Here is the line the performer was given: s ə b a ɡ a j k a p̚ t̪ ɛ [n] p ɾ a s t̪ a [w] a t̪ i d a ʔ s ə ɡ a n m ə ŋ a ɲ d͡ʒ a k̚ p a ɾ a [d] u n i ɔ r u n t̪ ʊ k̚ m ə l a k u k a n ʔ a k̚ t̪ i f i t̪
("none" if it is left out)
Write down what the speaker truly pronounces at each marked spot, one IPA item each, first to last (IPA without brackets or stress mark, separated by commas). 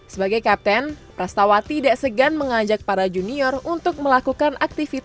n, w, d͡ʒ